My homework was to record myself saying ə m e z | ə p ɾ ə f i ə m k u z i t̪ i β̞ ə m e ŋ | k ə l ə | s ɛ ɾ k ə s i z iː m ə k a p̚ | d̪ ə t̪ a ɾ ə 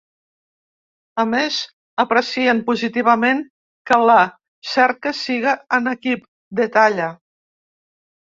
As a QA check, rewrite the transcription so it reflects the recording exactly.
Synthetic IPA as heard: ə m e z | ə p ɾ ə s i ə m p u z i t̪ i β̞ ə m e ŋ | k ə l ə | s ɛ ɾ k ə s i ɣ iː n ə k i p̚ | d̪ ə t̪ a ʎ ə